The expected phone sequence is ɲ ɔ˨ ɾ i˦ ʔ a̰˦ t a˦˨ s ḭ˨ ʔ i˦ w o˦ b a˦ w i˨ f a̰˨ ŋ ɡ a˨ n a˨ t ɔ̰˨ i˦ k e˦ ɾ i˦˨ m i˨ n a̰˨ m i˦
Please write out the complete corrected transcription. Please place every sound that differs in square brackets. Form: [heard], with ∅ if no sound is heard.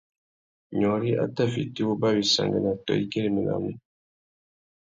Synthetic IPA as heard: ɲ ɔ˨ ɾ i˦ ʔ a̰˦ t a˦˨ [f] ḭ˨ [t] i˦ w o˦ b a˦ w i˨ [s] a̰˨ ŋ ɡ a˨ n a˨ t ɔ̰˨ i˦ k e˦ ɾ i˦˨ m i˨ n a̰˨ m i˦